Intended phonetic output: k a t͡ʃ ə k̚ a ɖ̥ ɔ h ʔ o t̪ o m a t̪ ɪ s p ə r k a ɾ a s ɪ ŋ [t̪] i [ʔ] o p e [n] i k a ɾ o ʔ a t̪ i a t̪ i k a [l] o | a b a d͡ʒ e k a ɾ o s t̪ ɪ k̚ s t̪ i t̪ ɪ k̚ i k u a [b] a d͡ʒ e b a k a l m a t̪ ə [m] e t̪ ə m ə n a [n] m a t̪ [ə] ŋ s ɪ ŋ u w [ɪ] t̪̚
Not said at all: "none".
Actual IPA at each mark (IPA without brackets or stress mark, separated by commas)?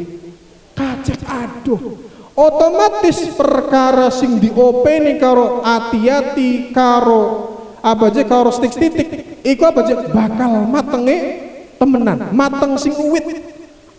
d̪, ʔ, n, ɾ, b, ŋ, n, ə, ɪ